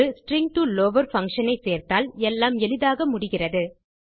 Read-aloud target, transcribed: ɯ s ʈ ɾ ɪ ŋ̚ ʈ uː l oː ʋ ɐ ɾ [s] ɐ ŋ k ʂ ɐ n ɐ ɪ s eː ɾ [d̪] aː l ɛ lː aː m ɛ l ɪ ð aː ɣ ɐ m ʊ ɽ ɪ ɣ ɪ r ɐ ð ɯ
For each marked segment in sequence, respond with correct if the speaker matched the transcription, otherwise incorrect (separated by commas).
incorrect, incorrect